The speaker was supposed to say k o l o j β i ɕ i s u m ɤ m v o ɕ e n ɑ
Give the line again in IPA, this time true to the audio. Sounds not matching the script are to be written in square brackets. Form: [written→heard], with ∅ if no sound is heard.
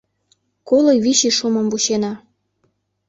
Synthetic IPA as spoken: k o l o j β i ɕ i [s→ʃ] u m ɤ m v [o→u] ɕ e n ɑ